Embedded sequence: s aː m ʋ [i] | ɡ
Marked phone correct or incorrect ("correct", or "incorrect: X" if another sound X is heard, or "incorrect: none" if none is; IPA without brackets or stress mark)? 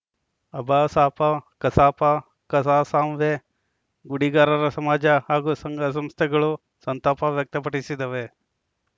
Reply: incorrect: e